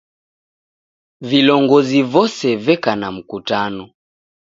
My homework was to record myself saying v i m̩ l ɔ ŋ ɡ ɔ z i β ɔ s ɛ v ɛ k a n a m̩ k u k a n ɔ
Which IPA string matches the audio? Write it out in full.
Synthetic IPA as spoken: v i l ɔ ŋ ɡ ɔ z i v ɔ s ɛ v ɛ k a n a m̩ k u t a n ɔ